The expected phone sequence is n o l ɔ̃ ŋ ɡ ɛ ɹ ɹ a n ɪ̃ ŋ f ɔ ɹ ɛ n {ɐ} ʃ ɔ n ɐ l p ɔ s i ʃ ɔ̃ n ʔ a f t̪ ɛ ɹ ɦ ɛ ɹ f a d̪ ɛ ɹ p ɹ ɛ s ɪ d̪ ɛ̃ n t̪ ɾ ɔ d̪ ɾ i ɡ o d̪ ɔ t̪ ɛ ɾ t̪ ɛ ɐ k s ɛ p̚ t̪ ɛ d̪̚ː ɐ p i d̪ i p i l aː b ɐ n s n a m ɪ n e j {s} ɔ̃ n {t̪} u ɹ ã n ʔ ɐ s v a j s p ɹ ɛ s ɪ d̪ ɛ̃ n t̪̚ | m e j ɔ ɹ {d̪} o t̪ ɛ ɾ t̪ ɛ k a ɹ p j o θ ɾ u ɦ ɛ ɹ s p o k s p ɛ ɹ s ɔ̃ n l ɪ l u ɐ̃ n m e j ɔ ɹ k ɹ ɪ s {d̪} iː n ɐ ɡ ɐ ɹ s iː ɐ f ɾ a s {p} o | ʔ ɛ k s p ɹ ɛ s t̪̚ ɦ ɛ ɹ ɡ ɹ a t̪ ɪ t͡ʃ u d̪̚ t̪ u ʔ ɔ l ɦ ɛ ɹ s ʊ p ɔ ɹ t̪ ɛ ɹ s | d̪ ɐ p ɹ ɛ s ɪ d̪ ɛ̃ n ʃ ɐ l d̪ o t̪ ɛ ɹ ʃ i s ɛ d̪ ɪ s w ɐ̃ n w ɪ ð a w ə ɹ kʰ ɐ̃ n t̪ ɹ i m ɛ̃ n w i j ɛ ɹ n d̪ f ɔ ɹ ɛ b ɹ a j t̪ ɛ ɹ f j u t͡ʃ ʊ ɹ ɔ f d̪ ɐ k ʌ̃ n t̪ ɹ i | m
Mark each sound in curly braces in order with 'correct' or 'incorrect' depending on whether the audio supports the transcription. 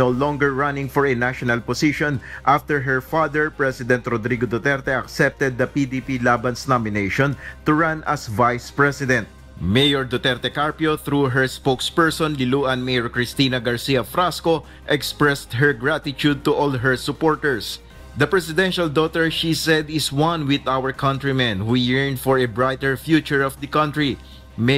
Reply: incorrect: a, incorrect: ʃ, correct, correct, incorrect: t̪, incorrect: k

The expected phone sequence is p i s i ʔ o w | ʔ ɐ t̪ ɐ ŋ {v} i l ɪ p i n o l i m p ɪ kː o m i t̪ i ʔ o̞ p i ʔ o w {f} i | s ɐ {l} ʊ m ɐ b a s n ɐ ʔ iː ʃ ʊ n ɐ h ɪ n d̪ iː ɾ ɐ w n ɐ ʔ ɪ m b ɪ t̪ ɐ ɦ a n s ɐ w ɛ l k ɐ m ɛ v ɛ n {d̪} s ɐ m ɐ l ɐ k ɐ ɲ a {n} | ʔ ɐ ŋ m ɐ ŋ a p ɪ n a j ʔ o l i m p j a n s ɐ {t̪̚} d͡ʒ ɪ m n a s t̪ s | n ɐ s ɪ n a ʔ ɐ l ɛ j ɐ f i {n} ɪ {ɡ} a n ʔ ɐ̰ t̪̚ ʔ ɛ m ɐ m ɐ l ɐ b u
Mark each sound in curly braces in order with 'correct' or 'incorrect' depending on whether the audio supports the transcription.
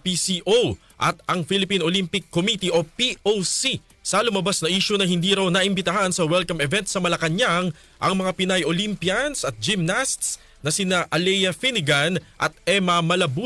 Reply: incorrect: f, incorrect: s, correct, incorrect: t̪, incorrect: ŋ, correct, correct, correct

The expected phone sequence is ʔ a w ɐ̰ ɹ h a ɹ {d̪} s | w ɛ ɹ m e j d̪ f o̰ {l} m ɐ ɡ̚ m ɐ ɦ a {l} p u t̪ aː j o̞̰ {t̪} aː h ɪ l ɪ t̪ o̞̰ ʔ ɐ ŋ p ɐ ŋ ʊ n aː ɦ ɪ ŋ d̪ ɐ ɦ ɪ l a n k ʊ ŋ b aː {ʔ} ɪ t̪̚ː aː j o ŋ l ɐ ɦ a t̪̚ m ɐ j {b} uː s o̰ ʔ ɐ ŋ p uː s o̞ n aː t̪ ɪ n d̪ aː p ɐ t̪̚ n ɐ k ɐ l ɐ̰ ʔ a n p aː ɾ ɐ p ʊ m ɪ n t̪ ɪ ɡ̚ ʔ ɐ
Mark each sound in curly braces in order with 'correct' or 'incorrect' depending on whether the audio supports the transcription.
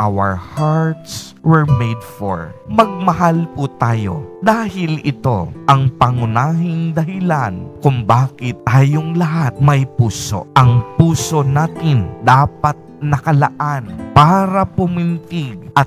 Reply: incorrect: t̪, incorrect: ɹ, correct, incorrect: d̪, incorrect: k, incorrect: p

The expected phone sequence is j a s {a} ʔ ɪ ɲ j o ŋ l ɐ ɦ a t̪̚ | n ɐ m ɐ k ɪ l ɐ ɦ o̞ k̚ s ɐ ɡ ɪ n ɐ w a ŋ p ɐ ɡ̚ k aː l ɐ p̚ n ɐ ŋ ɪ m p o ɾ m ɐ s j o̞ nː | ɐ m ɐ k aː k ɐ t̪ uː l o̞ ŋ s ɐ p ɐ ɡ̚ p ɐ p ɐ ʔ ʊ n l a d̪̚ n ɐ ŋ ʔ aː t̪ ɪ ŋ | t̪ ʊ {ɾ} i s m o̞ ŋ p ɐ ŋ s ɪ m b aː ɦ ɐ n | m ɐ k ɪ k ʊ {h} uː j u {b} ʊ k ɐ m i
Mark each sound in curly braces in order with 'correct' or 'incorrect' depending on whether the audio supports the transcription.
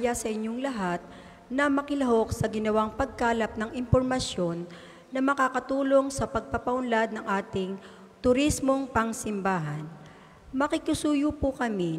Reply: incorrect: ɐ, correct, incorrect: s, incorrect: p

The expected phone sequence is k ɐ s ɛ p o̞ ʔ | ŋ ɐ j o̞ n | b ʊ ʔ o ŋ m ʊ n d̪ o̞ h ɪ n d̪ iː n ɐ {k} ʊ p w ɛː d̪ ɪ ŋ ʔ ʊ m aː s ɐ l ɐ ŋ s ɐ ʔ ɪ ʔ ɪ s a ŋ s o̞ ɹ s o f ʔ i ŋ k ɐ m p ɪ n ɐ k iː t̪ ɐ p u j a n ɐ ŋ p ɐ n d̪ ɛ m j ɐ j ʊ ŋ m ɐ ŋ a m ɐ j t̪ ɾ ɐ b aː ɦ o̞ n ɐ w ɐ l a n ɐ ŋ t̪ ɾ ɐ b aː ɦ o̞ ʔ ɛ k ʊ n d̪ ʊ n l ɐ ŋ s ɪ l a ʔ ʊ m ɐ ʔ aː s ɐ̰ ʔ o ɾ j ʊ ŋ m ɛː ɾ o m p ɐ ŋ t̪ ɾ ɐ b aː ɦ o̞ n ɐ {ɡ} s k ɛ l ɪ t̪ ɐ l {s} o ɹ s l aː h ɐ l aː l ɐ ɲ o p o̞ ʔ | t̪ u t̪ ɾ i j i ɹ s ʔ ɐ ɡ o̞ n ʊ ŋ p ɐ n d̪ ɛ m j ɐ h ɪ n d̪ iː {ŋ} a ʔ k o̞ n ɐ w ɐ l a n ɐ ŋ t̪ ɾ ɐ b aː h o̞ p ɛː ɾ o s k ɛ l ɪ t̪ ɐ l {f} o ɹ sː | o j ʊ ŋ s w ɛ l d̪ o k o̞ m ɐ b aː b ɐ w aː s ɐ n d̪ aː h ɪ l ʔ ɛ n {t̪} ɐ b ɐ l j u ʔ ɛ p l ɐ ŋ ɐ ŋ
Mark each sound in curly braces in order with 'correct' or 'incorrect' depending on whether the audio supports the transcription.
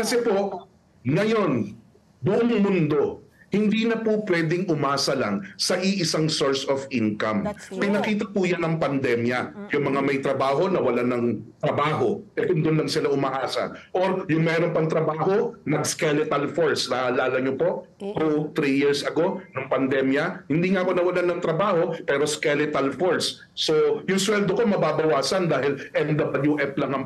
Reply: incorrect: p, correct, incorrect: f, correct, correct, incorrect: d̪

